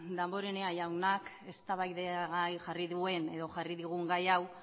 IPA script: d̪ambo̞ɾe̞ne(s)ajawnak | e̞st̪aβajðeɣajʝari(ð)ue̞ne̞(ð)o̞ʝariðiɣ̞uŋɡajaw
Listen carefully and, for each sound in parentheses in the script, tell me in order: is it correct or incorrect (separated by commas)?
incorrect, correct, correct